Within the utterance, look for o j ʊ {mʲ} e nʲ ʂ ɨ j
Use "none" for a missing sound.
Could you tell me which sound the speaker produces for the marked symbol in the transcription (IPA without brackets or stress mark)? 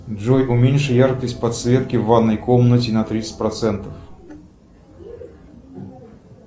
mʲ